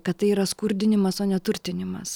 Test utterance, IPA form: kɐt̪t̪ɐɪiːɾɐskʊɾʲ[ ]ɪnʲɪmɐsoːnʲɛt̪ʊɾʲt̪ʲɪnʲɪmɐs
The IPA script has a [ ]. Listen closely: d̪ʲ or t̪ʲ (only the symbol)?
d̪ʲ